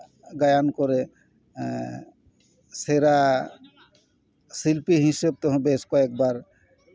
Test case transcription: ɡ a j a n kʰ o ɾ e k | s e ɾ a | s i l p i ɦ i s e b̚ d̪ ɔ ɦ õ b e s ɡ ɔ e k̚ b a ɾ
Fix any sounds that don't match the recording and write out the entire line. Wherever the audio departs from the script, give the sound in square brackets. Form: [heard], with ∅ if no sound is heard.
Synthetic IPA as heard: ɡ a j a n [k] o ɾ e [∅] | s e ɾ a | s i l p i ɦ i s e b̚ [t̪] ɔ ɦ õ b e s [k] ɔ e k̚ b a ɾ